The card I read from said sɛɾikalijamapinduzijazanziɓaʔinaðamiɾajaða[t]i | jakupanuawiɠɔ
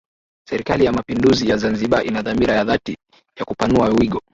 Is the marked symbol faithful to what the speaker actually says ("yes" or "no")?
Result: yes